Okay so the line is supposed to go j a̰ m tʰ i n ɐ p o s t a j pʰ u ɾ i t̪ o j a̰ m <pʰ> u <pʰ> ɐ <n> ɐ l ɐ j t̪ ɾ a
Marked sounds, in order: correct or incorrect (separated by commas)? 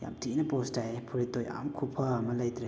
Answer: incorrect, correct, incorrect